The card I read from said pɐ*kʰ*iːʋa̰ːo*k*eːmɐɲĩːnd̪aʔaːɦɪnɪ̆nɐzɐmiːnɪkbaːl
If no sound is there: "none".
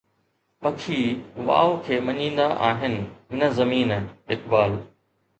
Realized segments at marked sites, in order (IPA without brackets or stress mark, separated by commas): kʰ, kʰ